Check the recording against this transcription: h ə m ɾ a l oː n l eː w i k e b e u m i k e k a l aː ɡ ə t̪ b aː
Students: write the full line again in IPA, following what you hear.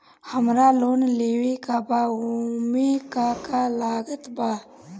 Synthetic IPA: h ə m ɾ a l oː n l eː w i k a b a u m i k a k a l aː ɡ ə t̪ b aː

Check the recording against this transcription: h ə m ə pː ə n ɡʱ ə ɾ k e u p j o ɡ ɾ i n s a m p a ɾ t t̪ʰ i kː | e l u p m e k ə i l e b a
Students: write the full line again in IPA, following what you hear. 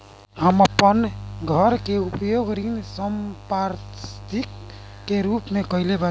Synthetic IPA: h ə m ə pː ə n ɡʱ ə ɾ k e u p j o ɡ ɾ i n s ə m p a ɾ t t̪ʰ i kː | e ɾ u p m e k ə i l e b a

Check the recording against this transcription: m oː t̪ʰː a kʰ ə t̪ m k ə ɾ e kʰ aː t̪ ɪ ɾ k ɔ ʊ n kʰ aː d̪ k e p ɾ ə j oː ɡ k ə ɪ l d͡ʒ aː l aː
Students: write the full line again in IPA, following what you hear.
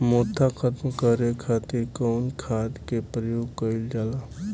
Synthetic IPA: m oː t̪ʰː a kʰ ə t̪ m k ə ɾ e kʰ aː t̪ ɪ ɾ k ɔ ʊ n kʰ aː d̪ k e p ɾ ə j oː ɡ k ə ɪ l d͡ʒ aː l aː

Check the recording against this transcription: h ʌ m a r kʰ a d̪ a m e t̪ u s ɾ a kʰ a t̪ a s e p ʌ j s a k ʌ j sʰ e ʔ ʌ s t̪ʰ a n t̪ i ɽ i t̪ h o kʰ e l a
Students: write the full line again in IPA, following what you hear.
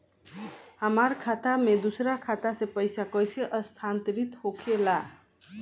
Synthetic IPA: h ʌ m a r kʰ a t̪ a m e d̪ u s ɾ a kʰ a t̪ a s e p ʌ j s a k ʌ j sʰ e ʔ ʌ s t̪ʰ a n t̪ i ɾ i t̪ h o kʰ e l a

